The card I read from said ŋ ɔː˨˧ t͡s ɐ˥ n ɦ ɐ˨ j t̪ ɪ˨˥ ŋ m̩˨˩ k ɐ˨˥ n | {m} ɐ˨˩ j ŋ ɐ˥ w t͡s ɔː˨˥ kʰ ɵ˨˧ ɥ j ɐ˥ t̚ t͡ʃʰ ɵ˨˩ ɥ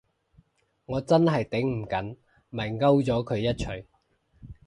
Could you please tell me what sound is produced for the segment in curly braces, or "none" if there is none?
m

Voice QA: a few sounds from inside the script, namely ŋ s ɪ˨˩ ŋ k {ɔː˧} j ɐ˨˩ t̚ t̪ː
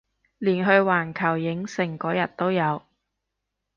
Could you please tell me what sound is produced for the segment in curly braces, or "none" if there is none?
ɔː˨˥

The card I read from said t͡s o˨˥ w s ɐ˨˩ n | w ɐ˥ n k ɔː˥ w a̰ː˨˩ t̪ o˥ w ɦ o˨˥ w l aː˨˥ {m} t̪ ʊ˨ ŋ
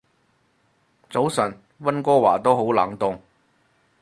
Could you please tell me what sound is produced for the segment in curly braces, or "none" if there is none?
ŋ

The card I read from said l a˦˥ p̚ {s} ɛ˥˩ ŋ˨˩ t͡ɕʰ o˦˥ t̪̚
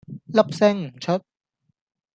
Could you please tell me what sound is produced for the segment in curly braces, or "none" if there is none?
s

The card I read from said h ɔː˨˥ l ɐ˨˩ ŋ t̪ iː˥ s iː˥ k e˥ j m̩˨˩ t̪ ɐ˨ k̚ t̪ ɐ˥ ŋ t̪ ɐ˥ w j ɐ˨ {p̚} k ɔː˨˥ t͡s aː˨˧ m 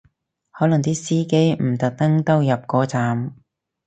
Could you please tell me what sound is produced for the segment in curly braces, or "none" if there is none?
p̚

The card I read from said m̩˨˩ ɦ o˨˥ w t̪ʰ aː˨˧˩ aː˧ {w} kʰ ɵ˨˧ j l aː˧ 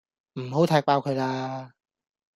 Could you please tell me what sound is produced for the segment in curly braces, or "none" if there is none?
w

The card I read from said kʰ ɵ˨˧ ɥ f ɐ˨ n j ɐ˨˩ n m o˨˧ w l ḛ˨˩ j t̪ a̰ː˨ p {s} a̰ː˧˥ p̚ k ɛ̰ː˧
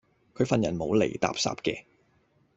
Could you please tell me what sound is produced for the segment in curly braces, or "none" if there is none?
s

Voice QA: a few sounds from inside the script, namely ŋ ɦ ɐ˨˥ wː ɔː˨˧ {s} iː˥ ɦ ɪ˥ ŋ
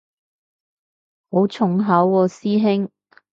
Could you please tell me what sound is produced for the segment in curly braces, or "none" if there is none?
s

